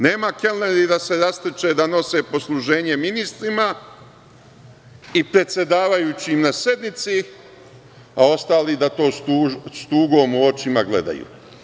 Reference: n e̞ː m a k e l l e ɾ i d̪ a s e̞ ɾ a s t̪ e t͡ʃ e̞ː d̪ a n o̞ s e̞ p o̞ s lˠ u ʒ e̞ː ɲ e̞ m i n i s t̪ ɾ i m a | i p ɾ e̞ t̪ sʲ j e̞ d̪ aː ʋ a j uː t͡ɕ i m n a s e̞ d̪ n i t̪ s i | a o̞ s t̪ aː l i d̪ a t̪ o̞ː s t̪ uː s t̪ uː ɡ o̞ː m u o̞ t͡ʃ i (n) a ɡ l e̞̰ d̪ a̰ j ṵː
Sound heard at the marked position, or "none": m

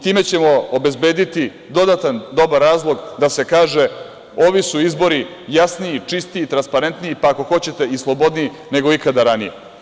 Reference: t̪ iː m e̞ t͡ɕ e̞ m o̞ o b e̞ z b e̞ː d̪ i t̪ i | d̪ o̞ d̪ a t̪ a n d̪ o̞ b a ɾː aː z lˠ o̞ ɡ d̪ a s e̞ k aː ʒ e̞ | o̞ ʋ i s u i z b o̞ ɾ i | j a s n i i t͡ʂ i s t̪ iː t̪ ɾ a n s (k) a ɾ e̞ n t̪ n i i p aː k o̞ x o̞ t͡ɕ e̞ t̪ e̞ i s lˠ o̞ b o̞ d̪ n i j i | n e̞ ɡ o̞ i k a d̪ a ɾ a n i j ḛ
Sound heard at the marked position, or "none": p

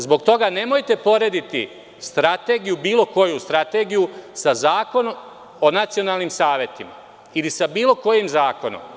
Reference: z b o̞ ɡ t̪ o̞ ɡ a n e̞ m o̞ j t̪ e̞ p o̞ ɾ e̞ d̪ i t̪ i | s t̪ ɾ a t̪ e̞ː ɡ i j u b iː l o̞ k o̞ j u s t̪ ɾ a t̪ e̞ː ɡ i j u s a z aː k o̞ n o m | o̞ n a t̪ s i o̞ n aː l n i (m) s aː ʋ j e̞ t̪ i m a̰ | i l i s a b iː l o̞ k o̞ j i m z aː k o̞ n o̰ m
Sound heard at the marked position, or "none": m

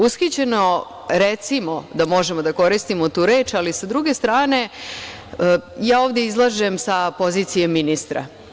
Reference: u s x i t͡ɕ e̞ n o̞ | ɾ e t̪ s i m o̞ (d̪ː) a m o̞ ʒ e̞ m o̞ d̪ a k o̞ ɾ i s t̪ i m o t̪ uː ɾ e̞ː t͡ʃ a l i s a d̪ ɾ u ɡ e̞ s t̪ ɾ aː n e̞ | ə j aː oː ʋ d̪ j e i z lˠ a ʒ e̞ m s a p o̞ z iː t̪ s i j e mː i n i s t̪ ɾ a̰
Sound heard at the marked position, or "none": d̪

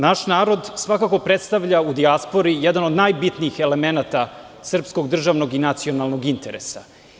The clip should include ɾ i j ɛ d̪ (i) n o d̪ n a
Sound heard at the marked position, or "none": a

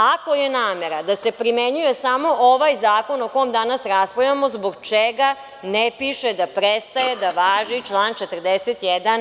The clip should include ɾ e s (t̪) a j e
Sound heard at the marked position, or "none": t̪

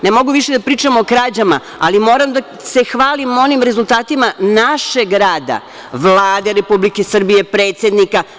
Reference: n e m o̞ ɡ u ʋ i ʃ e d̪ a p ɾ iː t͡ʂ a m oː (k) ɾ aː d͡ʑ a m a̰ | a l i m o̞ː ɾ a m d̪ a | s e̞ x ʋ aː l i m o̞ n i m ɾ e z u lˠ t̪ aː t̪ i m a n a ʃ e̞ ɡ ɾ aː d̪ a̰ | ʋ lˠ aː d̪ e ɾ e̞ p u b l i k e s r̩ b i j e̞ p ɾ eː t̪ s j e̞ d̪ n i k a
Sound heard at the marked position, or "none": k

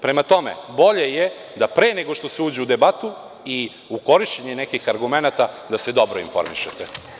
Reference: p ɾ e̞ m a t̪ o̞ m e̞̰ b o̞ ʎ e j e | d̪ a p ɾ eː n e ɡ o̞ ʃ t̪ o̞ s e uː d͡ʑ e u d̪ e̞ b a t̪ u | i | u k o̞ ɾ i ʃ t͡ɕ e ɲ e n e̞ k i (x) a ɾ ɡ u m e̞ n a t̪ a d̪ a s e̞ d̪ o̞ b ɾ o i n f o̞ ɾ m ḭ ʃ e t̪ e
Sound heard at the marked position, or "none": x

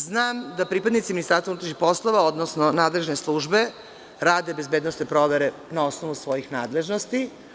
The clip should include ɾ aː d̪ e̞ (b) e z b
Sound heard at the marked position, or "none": b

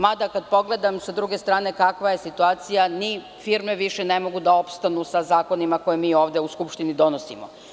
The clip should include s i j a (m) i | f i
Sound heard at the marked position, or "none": n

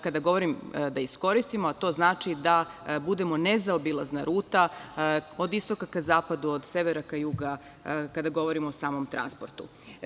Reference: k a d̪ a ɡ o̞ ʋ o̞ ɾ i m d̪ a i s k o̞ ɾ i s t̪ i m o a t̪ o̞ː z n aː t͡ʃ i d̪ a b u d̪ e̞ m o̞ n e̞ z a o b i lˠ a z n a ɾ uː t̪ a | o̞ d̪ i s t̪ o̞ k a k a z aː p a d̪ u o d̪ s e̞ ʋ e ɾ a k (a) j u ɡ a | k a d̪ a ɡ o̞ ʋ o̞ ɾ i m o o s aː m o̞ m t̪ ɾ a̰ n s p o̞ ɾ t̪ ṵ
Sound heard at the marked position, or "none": a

